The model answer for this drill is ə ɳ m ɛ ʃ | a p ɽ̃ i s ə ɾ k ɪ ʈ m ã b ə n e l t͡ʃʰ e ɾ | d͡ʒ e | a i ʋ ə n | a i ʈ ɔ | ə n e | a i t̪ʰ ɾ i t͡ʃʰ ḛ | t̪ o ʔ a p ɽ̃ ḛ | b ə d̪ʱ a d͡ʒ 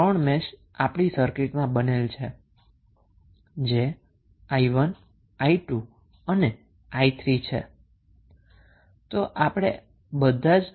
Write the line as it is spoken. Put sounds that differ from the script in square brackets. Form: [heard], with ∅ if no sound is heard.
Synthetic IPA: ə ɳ m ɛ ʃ | a p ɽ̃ i s ə ɾ k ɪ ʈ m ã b ə n e l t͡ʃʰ e [∅] | d͡ʒ e | a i ʋ ə n | a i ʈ [u] | ə n e | a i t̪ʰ ɾ i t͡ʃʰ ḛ | t̪ o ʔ a p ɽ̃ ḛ | b ə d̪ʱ a d͡ʒ